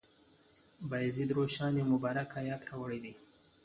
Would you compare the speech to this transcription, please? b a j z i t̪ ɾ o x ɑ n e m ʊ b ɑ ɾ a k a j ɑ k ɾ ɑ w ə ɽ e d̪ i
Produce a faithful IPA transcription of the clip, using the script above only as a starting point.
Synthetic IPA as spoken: b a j z i d̪ ɾ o ʃ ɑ n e m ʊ b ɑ ɾ a k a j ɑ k ɾ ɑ w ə ɽ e d̪ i